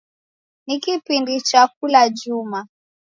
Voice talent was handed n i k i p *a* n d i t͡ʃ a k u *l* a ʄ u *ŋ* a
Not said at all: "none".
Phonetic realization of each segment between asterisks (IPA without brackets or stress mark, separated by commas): i, l, m